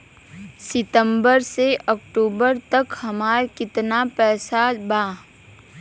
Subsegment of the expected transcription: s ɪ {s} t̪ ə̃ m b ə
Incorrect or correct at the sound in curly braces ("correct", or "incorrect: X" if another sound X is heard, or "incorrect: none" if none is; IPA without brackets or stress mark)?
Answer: incorrect: none